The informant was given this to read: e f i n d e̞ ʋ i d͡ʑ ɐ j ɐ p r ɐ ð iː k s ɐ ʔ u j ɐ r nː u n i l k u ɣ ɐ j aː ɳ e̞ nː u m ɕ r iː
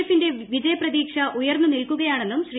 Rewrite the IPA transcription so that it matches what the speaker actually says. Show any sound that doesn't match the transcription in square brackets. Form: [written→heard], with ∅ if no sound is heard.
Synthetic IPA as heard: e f i n d e̞ ʋ i d͡ʑ ɐ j ɐ p r ɐ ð iː k [s→ʂ] ɐ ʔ u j ɐ r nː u n i l k u ɣ ɐ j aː ɳ e̞ nː u m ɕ r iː